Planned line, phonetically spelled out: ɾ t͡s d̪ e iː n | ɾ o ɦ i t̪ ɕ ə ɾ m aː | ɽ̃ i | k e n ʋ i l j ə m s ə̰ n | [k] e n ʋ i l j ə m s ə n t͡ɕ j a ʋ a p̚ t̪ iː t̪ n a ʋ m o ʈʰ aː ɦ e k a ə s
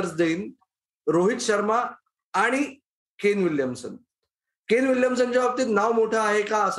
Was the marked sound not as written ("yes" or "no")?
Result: no